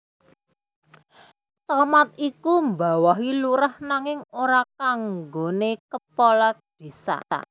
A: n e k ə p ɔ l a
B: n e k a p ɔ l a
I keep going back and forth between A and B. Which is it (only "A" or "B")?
A